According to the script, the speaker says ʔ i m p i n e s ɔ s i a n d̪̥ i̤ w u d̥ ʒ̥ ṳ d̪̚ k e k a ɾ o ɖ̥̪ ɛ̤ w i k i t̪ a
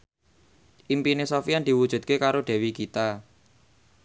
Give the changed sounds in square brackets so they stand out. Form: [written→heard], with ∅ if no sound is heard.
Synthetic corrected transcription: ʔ i m p i n e s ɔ [s→f] i a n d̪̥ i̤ w u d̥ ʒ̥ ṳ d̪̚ k e k a ɾ o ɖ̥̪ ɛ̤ w i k i t̪ a

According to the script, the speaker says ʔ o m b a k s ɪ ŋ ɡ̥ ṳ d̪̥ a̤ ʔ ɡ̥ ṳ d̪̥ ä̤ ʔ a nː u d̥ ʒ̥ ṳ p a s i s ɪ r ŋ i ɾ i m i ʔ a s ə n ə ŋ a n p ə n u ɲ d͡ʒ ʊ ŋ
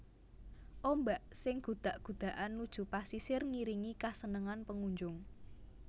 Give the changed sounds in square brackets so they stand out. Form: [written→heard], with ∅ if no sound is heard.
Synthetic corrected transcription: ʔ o m b a [k→ʔ] s ɪ ŋ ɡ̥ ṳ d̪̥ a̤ ʔ ɡ̥ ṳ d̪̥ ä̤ ʔ a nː u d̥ ʒ̥ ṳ p a s i s ɪ r ŋ i ɾ i [m→ŋ] i [ʔ→k] a s ə n ə ŋ a n p ə [n→ŋ] u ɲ d͡ʒ ʊ ŋ

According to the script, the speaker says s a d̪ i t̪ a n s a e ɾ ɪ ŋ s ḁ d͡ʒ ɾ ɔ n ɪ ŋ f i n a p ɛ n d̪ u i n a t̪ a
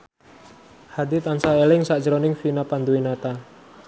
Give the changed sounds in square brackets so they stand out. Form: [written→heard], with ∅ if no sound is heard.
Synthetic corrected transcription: [s→h] a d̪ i t̪ a n s a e [ɾ→l] ɪ ŋ s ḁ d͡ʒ ɾ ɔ n ɪ ŋ f i n a p [ɛ→a] n d̪ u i n a t̪ a

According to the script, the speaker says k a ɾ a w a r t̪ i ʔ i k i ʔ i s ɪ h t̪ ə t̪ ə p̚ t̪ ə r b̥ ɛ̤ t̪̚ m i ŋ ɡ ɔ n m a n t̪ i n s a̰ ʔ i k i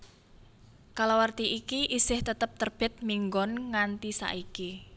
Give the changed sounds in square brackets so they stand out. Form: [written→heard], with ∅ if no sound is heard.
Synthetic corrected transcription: k a [ɾ→l] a w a r t̪ i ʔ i k i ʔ i s ɪ h t̪ ə t̪ ə p̚ t̪ ə r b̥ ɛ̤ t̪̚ m i ŋ ɡ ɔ n [m→ŋ] a n t̪ i [n→∅] s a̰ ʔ i k i

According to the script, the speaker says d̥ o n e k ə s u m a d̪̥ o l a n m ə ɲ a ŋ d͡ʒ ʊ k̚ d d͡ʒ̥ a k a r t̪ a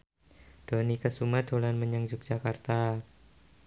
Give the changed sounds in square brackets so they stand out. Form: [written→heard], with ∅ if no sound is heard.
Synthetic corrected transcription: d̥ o n [e→i] k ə s u m a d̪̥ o l a n m ə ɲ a ŋ d͡ʒ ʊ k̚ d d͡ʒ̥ a k a r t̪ a

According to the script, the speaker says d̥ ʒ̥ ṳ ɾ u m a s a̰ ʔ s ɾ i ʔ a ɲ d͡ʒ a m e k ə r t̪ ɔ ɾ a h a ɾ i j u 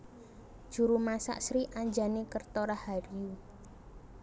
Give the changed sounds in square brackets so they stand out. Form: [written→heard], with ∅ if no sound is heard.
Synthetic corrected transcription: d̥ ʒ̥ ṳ ɾ u m a s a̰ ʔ s ɾ i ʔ a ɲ d͡ʒ a [m→n] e k ə r t̪ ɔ ɾ a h a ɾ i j u

